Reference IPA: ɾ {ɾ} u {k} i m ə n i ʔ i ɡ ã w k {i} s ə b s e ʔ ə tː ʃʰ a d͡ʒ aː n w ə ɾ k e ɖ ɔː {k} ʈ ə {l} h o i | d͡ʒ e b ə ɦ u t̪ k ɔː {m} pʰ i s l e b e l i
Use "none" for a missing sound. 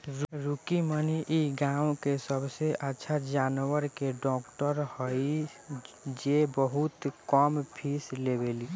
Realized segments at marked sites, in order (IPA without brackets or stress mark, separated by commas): ɾ, k, e, k, ɾ, m